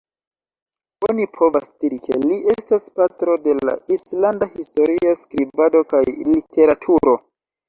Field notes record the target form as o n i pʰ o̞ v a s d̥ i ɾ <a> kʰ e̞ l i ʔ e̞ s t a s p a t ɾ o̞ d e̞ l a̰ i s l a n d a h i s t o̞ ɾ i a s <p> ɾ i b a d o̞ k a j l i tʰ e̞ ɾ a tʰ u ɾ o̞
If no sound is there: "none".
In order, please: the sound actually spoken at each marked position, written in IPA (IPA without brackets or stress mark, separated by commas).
i, k